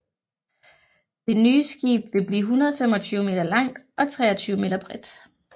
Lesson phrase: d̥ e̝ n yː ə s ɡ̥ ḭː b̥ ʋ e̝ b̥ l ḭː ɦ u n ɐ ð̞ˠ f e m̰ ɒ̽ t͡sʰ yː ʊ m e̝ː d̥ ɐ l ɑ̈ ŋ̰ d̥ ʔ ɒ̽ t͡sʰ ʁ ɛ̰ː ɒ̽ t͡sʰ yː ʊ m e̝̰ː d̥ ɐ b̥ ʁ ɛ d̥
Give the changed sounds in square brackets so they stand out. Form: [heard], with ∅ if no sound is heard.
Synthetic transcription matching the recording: d̥ e̝ n yː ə s ɡ̥ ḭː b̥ ʋ e̝ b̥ l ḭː ɦ u n ɐ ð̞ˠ f e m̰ ɒ̽ t͡sʰ yː ʊ m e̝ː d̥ ɐ l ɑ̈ ŋ̰ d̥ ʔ ɒ̽ t͡sʰ ʁ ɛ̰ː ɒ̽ t͡sʰ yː ʊ m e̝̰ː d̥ ɐ b̥ ʁ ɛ d̥